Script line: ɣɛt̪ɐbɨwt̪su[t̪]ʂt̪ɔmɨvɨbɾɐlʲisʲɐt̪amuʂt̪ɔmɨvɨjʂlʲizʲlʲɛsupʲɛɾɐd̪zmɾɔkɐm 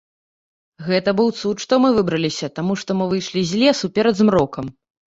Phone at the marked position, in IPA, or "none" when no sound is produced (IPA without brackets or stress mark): t̪